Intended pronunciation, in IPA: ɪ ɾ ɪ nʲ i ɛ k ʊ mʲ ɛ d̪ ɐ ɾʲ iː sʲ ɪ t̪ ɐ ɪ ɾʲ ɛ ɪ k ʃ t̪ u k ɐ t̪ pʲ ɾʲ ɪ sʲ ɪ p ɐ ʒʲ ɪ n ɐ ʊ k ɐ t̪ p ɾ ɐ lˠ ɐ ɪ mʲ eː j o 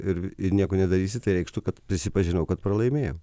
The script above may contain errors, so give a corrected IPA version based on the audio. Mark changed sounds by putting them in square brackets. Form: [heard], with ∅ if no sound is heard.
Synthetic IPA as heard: ɪ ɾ ɪ nʲ i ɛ k ʊ [nʲ] ɛ d̪ ɐ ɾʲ iː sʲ ɪ t̪ ɐ ɪ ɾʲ ɛ ɪ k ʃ t̪ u k ɐ t̪ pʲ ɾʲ ɪ sʲ ɪ p ɐ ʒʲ ɪ n ɐ ʊ k ɐ t̪ p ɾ ɐ lˠ ɐ ɪ mʲ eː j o